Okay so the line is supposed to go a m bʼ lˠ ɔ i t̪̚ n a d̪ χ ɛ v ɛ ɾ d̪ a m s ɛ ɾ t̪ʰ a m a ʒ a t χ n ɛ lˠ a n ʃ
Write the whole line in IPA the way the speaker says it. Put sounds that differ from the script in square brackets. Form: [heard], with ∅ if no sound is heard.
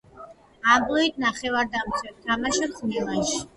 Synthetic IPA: a m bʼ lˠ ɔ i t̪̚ n a [∅] χ ɛ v [a] ɾ d̪ a m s ɛ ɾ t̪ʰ a m a [ʃ] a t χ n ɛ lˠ a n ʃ